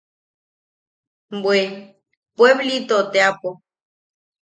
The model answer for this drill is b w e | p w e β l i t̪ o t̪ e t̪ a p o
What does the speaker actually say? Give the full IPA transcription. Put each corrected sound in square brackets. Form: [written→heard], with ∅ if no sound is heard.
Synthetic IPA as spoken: b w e | p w e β l i t̪ o t̪ e [t̪→∅] a p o